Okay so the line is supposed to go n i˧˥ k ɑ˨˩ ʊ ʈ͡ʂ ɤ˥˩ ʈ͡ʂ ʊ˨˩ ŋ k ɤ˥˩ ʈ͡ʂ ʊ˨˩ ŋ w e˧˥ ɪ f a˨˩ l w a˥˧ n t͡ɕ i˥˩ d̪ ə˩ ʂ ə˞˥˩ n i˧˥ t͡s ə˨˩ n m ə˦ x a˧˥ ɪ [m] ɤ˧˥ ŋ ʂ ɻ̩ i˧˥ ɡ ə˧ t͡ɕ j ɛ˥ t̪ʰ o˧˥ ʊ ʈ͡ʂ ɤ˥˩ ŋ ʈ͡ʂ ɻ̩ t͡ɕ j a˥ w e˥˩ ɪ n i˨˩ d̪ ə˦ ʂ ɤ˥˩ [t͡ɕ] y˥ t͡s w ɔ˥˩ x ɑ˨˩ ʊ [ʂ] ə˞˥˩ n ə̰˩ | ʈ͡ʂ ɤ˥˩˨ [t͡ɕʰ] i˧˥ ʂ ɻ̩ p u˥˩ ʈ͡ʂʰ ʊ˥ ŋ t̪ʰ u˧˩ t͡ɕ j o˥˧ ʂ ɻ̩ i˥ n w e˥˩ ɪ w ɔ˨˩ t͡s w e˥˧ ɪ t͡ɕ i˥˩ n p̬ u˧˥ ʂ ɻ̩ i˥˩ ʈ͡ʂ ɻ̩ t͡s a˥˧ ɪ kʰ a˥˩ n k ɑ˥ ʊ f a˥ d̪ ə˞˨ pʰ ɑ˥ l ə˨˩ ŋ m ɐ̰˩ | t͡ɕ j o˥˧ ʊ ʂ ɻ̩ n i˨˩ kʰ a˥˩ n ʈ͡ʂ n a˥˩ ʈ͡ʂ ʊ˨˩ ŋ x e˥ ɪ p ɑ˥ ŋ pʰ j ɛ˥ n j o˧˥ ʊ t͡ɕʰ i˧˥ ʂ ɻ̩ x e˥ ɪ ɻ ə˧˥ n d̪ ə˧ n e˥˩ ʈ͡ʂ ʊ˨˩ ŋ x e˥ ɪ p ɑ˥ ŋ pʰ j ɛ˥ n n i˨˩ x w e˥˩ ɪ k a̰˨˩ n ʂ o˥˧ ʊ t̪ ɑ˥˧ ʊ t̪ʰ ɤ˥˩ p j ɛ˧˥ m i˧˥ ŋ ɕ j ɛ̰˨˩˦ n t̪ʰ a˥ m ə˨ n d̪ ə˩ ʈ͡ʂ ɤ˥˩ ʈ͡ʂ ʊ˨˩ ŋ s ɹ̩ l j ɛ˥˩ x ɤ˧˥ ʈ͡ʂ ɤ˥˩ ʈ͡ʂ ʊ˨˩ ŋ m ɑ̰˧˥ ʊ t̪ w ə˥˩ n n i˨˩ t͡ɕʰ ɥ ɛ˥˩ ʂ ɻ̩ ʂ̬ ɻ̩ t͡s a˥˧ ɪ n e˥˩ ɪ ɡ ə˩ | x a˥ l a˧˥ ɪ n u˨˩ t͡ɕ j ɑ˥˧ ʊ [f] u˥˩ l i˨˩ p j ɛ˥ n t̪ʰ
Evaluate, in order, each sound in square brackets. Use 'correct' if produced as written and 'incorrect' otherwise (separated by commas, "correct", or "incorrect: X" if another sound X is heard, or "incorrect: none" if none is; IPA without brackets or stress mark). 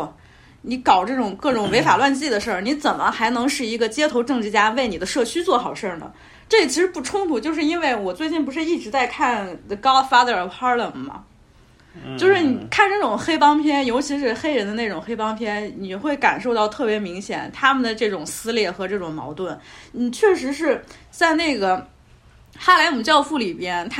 incorrect: n, incorrect: t͡ɕʰ, correct, correct, correct